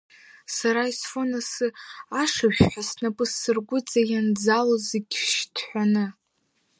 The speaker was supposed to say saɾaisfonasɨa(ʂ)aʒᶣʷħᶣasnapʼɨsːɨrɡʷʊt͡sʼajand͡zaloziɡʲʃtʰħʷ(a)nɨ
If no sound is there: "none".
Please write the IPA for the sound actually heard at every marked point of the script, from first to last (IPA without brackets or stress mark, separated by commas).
ʂ, a